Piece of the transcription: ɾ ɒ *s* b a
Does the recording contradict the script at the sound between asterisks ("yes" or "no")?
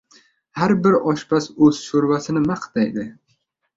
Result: yes